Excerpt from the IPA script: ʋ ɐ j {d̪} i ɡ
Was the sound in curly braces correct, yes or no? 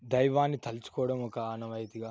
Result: no